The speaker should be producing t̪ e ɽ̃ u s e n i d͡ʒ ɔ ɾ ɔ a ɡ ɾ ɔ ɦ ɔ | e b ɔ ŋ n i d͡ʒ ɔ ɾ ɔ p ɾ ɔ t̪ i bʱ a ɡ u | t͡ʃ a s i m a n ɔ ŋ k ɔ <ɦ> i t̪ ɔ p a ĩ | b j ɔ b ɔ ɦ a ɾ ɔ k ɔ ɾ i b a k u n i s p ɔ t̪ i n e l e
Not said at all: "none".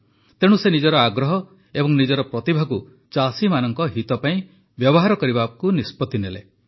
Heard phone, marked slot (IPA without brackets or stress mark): ɦ